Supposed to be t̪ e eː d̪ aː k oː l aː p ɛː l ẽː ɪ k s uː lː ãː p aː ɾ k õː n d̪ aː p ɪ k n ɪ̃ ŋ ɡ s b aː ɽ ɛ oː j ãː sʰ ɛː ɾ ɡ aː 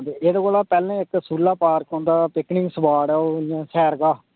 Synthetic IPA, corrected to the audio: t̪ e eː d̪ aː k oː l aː p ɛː l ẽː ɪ k s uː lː aː p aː ɾ k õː n d̪ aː p ɪ k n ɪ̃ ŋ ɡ s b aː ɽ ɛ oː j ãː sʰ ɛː ɾ ɡ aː